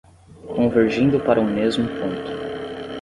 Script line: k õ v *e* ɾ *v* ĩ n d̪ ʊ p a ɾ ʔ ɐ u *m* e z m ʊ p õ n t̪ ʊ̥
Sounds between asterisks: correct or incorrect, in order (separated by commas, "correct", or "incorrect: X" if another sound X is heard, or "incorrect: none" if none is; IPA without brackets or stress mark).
correct, incorrect: ʒ, correct